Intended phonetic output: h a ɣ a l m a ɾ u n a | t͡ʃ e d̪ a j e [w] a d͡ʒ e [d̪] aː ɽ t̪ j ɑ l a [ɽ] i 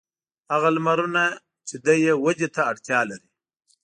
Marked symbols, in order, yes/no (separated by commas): yes, no, no